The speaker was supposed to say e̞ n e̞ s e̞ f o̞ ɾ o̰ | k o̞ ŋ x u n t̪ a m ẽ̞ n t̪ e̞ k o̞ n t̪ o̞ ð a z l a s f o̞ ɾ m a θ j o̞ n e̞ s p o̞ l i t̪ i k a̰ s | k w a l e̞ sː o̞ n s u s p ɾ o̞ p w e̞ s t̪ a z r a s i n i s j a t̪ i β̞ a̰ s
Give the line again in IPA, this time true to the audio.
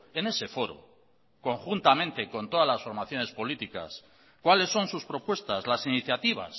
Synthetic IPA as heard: e̞ n e̞ s e̞ f o̞ ɾ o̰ | k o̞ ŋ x u n t̪ a m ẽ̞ n t̪ e̞ k o̞ n t̪ o̞ ð a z l a s f o̞ ɾ m a θ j o̞ n e̞ s p o̞ l i t̪ i k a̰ s | k w a l e̞ sː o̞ n s u s p ɾ o̞ p w e̞ s t̪ a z l a s i n i θ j a t̪ i β̞ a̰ s